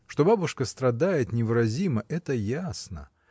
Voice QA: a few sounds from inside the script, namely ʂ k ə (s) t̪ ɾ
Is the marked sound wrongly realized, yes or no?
no